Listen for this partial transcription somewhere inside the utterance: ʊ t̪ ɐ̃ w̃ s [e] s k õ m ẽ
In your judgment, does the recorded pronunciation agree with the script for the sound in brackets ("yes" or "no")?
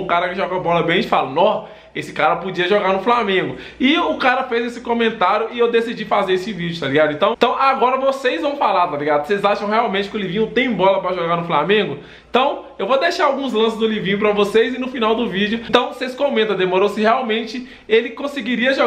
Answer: yes